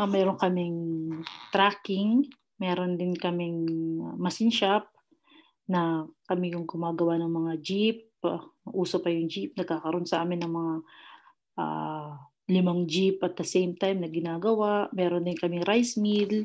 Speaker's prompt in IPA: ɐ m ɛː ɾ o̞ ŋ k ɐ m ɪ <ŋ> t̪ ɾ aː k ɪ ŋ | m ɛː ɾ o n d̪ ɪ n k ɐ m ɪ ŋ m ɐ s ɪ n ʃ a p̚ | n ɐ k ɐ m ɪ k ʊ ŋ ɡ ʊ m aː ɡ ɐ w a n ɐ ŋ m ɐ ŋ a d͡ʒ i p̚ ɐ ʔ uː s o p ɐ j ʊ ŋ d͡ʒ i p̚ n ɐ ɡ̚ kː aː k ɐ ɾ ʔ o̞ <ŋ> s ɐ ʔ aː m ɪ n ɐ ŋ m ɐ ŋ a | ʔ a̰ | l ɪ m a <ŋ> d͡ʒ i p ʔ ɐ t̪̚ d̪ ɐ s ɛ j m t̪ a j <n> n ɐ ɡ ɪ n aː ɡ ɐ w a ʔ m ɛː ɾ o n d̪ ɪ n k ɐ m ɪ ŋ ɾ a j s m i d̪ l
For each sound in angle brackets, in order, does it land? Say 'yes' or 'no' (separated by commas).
yes, no, yes, no